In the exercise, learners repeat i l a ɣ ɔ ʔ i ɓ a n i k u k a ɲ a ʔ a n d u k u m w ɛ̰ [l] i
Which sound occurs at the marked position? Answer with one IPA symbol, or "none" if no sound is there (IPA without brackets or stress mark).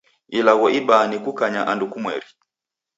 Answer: ɾ